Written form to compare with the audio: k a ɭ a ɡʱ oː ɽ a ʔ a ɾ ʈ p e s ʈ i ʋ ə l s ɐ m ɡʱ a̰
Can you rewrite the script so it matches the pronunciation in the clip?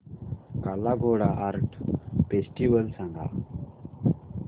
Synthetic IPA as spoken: k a l a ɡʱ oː ɽ a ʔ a ɾ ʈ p e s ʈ i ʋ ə l s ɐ ŋ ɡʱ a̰